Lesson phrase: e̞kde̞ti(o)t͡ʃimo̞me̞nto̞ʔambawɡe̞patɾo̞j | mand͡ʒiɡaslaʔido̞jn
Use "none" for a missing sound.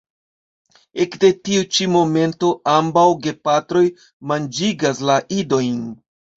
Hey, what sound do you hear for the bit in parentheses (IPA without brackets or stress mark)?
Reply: u